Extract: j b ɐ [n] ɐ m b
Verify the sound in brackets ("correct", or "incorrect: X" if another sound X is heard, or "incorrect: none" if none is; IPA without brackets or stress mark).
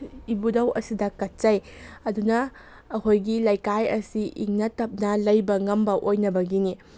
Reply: incorrect: ŋ